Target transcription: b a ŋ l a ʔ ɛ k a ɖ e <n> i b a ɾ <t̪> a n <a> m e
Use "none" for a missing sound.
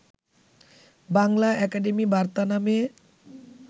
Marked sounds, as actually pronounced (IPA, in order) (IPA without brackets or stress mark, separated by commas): m, t̪, a